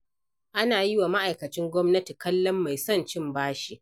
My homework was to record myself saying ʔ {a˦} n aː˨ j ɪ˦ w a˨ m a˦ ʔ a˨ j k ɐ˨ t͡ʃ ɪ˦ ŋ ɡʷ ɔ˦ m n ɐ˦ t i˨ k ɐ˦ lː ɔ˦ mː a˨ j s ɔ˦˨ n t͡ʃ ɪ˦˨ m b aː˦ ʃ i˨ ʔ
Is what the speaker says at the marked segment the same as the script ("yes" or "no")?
yes